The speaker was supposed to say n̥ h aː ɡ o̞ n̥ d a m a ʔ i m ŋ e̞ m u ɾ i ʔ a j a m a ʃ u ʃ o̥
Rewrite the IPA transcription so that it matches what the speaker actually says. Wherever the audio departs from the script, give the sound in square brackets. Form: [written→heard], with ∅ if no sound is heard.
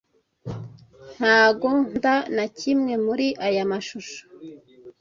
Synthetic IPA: n̥ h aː ɡ o̞ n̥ d a [m→n] a [ʔ→c] i m ŋ e̞ m u ɾ i ʔ a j a m a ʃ u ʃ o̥